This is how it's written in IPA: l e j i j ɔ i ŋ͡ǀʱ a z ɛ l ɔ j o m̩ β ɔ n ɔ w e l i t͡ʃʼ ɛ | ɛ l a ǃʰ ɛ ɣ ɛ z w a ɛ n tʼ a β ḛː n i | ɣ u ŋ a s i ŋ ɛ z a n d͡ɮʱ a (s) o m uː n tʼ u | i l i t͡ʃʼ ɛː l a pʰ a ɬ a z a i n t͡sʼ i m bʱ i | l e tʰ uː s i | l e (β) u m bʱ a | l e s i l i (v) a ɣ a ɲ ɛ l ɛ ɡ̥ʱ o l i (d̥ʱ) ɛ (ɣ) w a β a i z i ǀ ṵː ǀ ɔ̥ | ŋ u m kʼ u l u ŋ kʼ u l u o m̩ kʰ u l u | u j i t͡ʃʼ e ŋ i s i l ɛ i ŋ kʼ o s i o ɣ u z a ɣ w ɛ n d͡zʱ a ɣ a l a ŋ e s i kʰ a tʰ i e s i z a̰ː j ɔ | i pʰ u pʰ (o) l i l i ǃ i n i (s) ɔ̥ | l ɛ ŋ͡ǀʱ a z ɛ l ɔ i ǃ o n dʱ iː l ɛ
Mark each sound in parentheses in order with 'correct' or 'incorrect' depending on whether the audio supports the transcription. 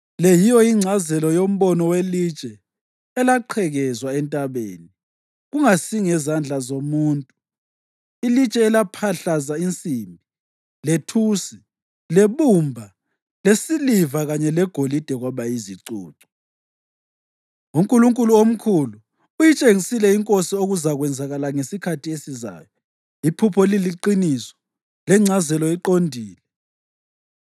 incorrect: z, correct, correct, correct, correct, incorrect: ɔ, correct

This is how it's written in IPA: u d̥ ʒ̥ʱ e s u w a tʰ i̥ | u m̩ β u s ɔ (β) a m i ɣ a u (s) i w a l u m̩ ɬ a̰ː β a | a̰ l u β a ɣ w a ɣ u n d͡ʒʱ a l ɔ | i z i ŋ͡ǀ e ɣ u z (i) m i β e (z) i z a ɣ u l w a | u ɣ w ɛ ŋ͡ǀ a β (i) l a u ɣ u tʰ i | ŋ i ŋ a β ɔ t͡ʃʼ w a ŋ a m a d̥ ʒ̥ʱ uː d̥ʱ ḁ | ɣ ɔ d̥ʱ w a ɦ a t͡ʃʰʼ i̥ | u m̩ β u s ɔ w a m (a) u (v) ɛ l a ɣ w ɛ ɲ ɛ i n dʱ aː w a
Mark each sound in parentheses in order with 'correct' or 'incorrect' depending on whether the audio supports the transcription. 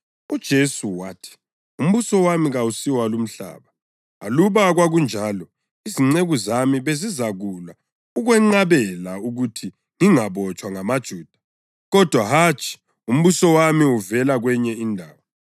incorrect: w, correct, incorrect: a, correct, incorrect: ɛ, incorrect: i, correct

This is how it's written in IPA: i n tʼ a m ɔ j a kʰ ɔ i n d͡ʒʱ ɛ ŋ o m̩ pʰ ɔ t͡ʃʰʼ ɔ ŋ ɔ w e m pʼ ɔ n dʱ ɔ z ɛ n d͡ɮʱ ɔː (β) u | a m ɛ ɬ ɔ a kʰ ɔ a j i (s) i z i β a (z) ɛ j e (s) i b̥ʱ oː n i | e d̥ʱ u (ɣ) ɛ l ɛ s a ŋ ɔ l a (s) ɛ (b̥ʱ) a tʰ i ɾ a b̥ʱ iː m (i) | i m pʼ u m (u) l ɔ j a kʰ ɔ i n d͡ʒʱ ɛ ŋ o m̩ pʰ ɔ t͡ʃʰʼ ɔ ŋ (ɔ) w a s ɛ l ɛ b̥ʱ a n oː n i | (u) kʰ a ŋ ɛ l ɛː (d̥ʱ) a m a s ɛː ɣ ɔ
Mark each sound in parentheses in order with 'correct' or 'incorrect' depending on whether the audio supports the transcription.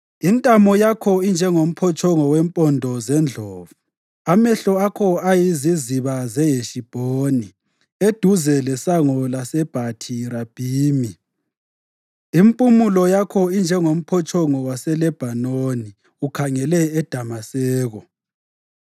incorrect: v, incorrect: z, correct, incorrect: ʃ, incorrect: z, correct, correct, correct, correct, correct, correct, correct

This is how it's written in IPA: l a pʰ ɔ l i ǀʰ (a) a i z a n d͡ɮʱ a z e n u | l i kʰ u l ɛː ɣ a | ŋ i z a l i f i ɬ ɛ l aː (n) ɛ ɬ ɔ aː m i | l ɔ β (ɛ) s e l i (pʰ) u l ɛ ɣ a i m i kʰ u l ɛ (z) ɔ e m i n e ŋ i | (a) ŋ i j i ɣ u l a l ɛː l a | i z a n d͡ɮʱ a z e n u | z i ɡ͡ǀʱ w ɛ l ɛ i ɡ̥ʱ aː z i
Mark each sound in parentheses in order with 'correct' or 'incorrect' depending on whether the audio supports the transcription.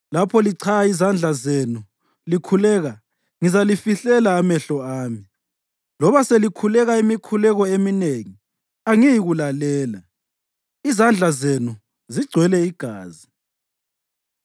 correct, incorrect: m, incorrect: a, incorrect: kʰ, incorrect: ɣ, correct

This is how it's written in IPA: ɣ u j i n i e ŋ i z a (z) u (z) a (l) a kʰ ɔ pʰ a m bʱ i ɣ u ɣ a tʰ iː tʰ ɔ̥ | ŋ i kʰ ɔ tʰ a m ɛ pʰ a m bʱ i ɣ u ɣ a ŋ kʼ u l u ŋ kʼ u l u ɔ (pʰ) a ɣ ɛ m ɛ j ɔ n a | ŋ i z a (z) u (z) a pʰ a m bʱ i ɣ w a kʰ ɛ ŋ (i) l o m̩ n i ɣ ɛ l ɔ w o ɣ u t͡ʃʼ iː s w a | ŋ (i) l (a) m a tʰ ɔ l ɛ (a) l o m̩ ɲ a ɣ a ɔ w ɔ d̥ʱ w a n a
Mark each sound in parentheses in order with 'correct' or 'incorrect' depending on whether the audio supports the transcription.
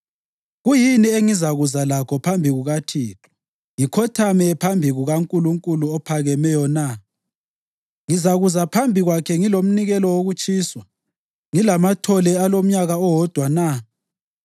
incorrect: ɣ, correct, correct, correct, incorrect: ɣ, correct, correct, correct, correct, correct

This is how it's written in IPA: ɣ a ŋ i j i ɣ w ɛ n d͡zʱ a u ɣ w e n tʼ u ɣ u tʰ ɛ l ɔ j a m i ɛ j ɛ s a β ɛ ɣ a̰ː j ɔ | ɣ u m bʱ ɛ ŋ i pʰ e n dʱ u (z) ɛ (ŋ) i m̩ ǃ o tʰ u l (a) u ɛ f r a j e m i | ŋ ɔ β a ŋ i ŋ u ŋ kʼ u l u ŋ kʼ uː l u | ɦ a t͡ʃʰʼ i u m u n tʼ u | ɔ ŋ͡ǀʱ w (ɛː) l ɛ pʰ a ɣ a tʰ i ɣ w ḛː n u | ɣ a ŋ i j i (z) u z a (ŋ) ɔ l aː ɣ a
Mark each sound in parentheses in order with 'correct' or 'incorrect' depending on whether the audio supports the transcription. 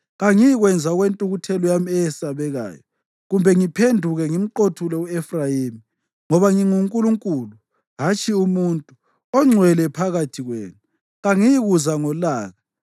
incorrect: ɣ, correct, incorrect: ɛ, incorrect: ɛ, incorrect: ɣ, correct

